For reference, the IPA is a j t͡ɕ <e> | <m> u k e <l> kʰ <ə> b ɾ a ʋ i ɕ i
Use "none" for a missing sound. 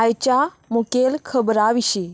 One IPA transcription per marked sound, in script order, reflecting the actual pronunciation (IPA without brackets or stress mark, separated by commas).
a, m, l, ə